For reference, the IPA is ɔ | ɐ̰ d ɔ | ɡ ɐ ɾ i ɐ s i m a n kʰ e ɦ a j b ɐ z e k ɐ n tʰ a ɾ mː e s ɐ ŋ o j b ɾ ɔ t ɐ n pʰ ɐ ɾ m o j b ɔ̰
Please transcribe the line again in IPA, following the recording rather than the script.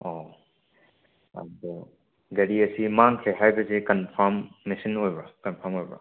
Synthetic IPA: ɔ | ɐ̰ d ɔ | ɡ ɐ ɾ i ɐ s i m a ŋ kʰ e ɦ a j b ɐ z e k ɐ n pʰ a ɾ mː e s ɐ n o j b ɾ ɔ k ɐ n pʰ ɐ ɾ m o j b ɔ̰